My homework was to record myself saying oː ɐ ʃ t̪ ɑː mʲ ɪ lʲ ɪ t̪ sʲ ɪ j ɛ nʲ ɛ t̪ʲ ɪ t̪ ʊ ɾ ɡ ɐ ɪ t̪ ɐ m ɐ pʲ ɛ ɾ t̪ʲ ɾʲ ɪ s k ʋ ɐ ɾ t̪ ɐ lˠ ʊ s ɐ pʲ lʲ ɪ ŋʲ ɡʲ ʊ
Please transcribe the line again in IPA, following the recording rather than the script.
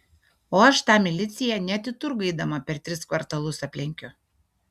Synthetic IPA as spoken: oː ɐ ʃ t̪ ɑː mʲ ɪ lʲ ɪ t̪ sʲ ɪ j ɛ nʲ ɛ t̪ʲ ɪ t̪ ʊ ɾ ɡ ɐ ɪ d̪ ɐ m ɐ pʲ ɛ ɾ t̪ʲ ɾʲ ɪ s k ʋ ɐ ɾ t̪ ɐ lˠ ʊ s ɐ pʲ lʲ ɪ ŋʲ kʲ ʊ